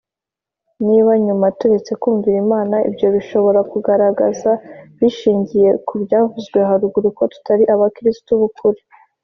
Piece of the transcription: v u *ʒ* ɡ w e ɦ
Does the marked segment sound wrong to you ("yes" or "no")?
yes